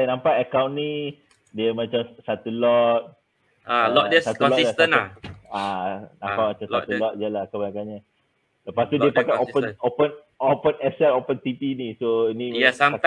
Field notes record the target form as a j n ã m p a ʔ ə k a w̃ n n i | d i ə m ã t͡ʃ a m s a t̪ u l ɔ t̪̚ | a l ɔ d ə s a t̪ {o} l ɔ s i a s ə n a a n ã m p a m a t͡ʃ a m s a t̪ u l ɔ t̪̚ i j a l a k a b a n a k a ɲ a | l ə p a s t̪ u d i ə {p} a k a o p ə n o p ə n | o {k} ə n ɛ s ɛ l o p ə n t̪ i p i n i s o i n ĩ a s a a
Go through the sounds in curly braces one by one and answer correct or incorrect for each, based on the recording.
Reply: incorrect: u, correct, incorrect: p

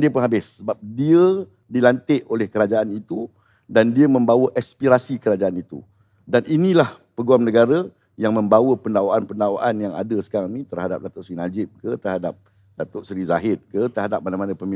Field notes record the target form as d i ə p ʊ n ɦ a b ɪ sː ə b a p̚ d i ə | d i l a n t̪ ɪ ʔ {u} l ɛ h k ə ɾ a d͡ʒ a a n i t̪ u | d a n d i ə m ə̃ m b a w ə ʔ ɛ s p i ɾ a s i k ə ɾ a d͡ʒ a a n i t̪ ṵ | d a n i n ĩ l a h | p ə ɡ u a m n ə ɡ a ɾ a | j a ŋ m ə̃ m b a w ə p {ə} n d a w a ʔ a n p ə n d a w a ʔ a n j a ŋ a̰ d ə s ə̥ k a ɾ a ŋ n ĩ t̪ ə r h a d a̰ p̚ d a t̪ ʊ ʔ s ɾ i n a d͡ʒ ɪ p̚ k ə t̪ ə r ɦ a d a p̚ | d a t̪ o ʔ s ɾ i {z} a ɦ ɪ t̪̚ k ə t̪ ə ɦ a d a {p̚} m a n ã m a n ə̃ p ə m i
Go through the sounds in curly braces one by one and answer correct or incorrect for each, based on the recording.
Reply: incorrect: o, correct, correct, correct

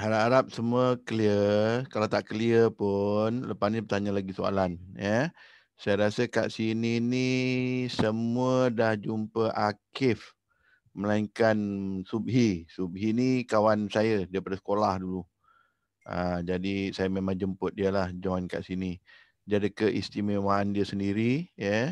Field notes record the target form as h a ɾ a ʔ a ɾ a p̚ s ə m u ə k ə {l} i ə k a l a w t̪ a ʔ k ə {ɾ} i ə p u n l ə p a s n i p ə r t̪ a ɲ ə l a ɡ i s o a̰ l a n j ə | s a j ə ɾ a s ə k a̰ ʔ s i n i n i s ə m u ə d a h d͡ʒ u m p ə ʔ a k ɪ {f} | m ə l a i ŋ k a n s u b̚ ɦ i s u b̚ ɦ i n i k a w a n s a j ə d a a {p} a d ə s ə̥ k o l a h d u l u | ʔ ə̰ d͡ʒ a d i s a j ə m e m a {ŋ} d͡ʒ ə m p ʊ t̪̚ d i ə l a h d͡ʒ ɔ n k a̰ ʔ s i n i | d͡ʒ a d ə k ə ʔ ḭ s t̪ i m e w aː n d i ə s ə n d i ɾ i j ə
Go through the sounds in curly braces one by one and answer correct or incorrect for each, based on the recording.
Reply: correct, incorrect: l, correct, correct, correct

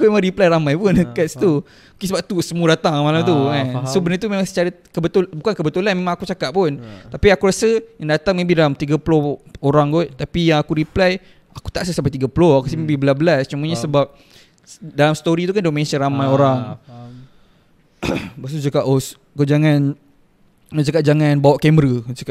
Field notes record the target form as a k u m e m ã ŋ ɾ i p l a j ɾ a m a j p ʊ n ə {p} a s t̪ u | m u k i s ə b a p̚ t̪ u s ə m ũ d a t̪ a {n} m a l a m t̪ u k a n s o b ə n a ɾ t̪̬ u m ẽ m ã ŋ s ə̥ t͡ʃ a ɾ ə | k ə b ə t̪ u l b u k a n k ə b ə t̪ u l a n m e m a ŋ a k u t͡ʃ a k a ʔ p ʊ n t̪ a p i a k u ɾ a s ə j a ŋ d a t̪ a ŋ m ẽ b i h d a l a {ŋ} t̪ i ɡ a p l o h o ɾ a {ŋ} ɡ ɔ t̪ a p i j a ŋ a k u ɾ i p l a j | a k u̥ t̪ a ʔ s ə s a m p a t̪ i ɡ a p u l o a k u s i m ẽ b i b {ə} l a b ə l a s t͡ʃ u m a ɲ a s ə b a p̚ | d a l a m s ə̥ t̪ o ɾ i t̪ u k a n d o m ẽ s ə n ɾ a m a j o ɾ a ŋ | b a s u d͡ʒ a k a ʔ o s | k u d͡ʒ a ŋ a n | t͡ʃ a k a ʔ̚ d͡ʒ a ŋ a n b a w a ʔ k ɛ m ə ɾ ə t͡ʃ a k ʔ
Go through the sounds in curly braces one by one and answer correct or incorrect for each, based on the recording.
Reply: incorrect: k, incorrect: ŋ, incorrect: m, correct, correct

